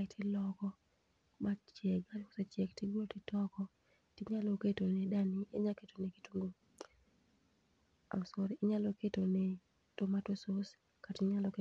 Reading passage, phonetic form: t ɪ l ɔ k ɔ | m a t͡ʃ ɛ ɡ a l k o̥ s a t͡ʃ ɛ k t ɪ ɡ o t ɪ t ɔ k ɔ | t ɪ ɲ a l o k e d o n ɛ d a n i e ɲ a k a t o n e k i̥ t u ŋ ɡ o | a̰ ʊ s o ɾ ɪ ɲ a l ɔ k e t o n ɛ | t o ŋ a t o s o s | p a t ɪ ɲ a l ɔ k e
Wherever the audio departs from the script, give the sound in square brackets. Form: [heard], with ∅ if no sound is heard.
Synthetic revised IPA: t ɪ l ɔ k ɔ | m a t͡ʃ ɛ ɡ a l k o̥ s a t͡ʃ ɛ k t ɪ ɡ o t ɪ t ɔ k ɔ | t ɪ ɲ a l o k e [t] o n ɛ d a n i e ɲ a k [e] t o n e k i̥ t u ŋ ɡ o | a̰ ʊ s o ɾ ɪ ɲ a l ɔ k e t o n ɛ | t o [m] a t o s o s | [k] a t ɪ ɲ a l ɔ k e